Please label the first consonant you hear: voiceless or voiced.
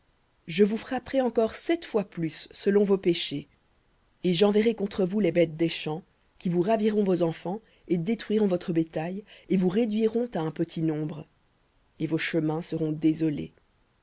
voiced